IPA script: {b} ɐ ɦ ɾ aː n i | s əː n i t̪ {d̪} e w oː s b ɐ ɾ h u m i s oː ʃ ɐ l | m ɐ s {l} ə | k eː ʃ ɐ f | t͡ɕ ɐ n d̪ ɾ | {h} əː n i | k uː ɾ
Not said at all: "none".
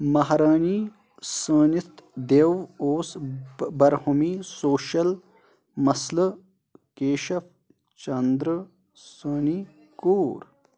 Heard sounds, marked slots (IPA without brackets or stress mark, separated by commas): m, d̪, l, s